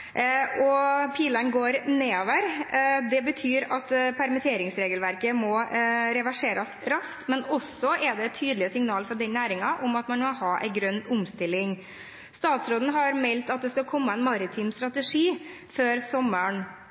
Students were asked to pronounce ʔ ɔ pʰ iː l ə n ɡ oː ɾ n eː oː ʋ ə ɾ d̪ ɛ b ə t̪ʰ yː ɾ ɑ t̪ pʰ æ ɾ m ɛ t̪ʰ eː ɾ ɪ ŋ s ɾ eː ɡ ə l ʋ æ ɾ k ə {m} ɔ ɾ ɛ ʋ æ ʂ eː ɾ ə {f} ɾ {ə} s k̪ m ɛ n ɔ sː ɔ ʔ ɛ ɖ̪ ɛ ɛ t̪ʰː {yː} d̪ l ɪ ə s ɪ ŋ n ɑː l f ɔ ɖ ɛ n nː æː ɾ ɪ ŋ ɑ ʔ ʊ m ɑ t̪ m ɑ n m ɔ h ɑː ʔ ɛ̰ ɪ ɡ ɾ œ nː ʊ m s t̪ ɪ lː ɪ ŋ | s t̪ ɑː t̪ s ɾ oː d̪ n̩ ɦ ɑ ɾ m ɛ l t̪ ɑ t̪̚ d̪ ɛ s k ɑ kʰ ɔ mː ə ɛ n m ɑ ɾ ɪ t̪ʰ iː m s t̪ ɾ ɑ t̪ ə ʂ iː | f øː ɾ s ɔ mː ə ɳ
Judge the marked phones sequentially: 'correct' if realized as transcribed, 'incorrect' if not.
correct, incorrect: s, incorrect: ɑ, correct

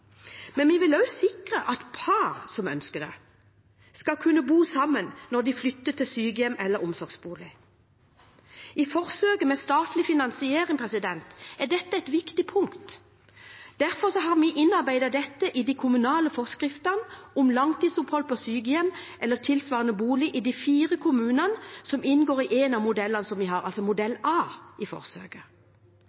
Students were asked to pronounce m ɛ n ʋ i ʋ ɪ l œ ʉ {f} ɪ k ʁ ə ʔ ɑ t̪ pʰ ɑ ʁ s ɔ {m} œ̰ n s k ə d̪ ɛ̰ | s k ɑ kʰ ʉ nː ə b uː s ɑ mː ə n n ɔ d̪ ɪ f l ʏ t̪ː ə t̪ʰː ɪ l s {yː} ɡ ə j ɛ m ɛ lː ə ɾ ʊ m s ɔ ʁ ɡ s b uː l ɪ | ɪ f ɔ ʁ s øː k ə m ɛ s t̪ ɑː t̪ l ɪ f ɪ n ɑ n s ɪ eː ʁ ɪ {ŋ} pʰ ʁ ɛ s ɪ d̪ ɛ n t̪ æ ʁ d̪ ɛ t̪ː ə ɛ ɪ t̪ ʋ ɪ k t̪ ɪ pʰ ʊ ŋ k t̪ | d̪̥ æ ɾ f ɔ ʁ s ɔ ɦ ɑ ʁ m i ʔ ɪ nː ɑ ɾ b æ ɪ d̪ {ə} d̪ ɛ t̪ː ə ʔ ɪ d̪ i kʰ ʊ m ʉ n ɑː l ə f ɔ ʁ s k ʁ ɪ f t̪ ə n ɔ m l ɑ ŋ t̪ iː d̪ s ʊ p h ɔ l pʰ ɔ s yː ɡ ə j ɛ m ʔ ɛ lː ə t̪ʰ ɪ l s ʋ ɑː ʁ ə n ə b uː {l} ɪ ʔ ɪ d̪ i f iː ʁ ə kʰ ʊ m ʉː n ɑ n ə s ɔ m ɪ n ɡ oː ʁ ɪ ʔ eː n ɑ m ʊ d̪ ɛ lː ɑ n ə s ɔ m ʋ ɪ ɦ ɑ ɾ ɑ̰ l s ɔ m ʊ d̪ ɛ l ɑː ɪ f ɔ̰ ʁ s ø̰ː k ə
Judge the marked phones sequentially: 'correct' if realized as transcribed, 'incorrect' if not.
incorrect: s, correct, correct, correct, incorrect: ɑ, correct

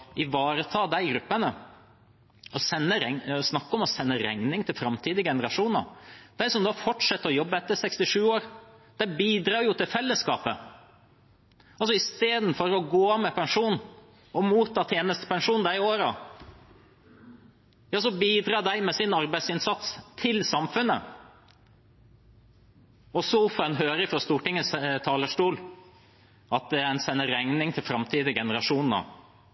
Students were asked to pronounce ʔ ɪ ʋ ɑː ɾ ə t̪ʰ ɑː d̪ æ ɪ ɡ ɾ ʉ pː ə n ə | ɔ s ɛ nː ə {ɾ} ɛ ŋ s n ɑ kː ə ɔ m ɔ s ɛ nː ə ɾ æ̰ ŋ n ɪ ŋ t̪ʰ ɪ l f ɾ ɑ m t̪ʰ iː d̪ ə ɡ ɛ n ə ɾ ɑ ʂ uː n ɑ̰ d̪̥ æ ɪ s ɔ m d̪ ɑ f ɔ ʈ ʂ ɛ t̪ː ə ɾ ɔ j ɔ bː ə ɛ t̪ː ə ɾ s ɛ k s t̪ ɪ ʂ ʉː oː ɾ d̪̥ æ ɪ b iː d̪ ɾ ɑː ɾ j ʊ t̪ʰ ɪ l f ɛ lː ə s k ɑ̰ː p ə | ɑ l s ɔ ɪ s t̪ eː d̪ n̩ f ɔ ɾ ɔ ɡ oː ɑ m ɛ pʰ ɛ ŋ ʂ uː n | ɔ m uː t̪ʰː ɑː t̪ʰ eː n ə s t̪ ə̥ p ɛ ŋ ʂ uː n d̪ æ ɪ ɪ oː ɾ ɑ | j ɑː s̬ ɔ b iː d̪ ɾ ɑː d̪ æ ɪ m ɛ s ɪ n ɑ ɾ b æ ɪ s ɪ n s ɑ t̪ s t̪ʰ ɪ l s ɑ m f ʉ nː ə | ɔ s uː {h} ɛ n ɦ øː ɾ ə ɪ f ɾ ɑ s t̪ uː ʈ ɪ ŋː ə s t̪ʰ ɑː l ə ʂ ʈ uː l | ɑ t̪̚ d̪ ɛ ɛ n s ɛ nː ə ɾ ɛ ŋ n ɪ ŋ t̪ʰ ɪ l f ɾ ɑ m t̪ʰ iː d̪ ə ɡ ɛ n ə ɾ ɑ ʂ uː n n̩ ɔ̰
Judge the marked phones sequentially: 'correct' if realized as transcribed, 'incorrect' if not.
correct, incorrect: f

